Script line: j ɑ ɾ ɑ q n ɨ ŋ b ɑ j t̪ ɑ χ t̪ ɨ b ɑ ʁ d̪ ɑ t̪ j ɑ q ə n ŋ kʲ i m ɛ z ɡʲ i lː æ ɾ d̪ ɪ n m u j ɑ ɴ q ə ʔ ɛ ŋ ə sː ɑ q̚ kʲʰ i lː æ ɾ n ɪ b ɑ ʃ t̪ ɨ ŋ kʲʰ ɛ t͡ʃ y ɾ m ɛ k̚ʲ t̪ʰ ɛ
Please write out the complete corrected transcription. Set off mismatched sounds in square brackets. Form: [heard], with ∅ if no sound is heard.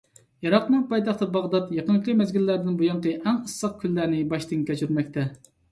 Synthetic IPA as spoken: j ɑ ɾ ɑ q n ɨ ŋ [p] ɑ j t̪ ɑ χ t̪ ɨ b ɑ ʁ d̪ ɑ t̪ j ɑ q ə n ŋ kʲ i m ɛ z ɡʲ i lː æ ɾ d̪ ɪ n [b] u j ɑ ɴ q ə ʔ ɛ ŋ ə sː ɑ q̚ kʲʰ [y] lː æ ɾ n ɪ b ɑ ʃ t̪ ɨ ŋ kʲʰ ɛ t͡ʃ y ɾ m ɛ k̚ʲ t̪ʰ ɛ